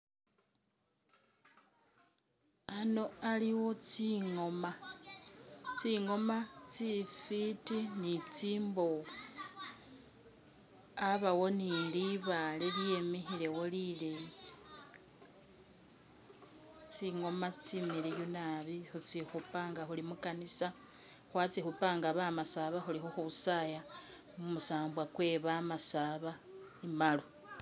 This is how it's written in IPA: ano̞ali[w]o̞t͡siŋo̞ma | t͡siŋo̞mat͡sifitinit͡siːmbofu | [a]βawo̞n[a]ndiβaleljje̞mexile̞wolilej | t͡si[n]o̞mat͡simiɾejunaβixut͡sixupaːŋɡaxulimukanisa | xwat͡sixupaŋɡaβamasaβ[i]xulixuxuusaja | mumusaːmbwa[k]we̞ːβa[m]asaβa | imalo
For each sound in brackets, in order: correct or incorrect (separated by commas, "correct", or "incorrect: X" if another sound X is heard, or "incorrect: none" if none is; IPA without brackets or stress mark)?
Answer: correct, correct, incorrect: i, incorrect: ŋ, incorrect: a, correct, correct